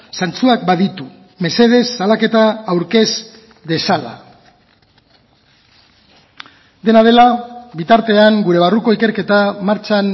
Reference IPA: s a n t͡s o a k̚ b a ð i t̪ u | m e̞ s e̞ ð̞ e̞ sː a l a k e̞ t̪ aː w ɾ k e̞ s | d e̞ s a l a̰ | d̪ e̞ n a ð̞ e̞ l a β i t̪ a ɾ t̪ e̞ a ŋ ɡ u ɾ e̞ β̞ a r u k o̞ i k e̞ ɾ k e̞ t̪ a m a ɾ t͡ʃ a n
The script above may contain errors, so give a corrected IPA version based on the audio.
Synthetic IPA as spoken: s a n t͡s u a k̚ b a ð i t̪ u | m e̞ s e̞ ð̞ e̞ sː a l a k e̞ t̪ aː w ɾ k e̞ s | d e̞ s a l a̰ | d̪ e̞ n a ð̞ e̞ l a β i t̪ a ɾ t̪ e̞ a ŋ ɡ u ɾ e̞ β̞ a r u k o̞ i k e̞ ɾ k e̞ t̪ a m a ɾ t͡ʃ a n